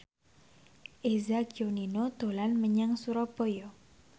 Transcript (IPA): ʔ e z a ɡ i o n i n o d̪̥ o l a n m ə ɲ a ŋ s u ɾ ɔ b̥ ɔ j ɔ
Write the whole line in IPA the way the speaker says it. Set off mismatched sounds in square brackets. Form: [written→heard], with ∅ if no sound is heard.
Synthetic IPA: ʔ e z a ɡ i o n i n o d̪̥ o l a n m ə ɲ a ŋ s u ɾ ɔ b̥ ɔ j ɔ